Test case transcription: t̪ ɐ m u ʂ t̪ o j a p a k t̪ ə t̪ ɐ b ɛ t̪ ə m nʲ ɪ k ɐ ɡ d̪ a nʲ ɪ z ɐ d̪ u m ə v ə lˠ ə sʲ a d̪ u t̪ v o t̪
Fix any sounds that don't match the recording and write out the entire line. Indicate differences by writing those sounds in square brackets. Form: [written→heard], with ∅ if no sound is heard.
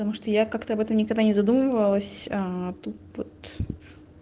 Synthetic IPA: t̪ ɐ m u ʂ t̪ o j a [p→k] a k t̪ ə [t̪→∅] ɐ b ɛ t̪ ə m nʲ ɪ k ɐ ɡ d̪ a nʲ ɪ z ɐ d̪ u m ə v ə lˠ ə sʲ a [d̪→t̪] u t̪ v o t̪